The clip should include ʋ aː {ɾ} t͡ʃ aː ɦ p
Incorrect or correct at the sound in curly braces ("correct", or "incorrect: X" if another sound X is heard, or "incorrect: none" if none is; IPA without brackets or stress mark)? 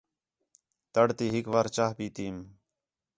correct